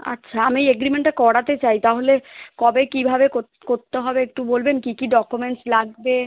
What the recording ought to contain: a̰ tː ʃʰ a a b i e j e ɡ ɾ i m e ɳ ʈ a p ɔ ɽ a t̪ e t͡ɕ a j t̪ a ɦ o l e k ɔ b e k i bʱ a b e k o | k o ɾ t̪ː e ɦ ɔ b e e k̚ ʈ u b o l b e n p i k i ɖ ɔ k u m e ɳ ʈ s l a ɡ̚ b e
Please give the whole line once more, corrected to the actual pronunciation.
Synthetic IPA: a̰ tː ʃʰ a a m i e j e ɡ ɾ i m e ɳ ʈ a k ɔ ɽ a t̪ e t͡ɕ a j t̪ a ɦ o l e k ɔ b e k i bʱ a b e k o | k o ɾ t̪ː e ɦ ɔ b e e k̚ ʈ u b o l b e n k i k i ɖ ɔ k u m e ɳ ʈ s l a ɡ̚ b e